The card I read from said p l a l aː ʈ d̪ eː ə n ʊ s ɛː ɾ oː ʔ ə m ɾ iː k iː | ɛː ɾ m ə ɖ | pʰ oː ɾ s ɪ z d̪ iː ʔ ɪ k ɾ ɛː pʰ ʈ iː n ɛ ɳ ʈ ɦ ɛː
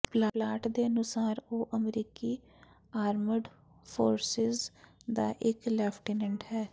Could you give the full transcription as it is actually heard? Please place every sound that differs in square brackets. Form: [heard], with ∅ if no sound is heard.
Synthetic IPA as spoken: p l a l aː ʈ d̪ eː ə n ʊ s [aː] ɾ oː ʔ ə m ɾ iː k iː | [aː] ɾ m ə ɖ | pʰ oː ɾ s ɪ z d̪ [aː] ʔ ɪ k [l] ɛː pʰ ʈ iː n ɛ ɳ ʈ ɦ ɛː